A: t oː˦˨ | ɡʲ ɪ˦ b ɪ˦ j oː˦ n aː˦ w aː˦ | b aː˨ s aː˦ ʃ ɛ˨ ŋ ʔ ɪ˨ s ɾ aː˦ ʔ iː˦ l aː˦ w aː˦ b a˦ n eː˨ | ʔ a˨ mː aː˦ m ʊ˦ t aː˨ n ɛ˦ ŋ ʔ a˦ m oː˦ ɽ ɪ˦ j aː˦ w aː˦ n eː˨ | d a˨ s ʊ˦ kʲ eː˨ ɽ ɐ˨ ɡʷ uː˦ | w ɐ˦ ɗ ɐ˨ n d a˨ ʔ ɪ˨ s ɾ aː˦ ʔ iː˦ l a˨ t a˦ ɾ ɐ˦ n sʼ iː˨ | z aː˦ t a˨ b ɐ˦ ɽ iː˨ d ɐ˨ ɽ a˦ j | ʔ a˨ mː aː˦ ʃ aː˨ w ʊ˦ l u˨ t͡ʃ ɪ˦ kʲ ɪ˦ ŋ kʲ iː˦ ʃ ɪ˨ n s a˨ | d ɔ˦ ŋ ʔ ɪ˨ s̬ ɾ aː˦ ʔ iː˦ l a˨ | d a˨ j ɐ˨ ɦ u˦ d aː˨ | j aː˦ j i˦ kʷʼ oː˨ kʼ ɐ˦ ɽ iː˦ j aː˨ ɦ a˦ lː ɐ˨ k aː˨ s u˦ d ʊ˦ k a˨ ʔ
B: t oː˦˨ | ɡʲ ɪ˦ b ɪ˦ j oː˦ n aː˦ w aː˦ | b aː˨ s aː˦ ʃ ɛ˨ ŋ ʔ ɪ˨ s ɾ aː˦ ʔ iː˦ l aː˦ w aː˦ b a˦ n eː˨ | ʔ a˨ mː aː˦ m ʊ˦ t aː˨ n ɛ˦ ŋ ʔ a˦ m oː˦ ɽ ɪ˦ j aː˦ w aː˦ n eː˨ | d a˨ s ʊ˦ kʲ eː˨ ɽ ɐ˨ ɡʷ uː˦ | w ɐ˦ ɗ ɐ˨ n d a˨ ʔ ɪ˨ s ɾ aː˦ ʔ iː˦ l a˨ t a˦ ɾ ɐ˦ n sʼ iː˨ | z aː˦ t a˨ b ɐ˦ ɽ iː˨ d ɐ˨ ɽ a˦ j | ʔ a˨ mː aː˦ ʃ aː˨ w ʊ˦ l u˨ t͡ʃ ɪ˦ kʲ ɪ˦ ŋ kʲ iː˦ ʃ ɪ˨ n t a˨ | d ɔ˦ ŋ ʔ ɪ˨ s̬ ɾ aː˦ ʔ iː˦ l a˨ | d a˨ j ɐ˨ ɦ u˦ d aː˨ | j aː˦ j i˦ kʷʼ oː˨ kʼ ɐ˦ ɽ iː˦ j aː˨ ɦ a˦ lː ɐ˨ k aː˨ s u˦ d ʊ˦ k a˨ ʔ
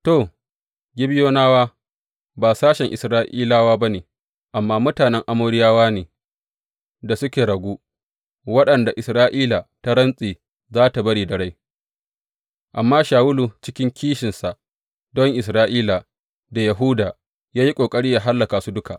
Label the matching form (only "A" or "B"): A